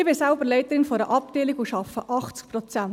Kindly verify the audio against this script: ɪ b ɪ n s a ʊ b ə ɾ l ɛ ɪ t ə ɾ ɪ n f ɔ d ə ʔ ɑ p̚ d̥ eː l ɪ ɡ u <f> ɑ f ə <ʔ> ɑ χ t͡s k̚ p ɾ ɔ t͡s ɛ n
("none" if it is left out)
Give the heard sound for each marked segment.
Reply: ʃ, ʔ

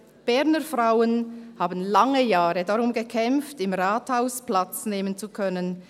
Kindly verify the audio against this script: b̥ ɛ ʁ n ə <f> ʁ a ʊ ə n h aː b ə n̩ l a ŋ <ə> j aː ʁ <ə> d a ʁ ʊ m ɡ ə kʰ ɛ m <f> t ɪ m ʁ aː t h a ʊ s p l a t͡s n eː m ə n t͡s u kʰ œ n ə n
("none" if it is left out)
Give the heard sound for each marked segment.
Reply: f, ə, ə, f

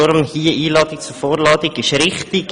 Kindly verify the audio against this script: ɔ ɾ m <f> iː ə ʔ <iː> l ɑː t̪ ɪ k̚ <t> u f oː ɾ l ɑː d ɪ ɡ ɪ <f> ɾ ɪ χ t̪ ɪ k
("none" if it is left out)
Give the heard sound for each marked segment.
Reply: h, iː, t͡s, ʃ

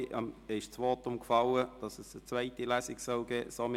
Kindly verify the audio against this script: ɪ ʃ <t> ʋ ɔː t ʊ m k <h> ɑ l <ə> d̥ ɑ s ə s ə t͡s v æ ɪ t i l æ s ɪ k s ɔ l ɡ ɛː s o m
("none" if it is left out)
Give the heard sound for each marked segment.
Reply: t͡s, f, ə

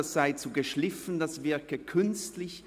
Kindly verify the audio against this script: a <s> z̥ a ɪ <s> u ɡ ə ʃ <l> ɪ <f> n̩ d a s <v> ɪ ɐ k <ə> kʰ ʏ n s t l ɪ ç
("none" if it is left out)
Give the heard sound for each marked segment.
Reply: s, t͡s, l, f, v, ə

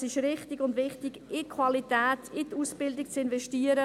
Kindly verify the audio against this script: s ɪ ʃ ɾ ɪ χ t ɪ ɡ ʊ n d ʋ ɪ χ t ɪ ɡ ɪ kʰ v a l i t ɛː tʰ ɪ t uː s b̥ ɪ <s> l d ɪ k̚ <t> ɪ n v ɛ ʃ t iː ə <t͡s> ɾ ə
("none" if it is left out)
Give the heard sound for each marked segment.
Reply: none, t͡s, none

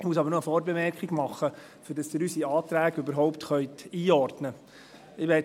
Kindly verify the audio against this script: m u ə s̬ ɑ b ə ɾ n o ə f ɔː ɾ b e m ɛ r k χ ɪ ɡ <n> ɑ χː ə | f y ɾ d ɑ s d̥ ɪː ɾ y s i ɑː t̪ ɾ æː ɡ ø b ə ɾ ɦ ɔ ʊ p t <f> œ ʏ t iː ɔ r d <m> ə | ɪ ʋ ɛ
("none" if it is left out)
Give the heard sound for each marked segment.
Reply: m, χ, n

